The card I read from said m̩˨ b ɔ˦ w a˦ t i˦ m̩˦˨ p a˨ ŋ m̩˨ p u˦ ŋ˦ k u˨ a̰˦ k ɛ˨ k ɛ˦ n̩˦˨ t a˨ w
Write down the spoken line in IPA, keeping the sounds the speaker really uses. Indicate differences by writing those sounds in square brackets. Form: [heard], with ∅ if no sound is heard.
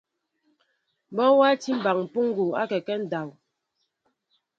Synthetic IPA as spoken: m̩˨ b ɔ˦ w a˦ t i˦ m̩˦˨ [b] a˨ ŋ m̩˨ p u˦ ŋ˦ [ɡ] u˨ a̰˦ k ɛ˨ k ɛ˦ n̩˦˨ [d] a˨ w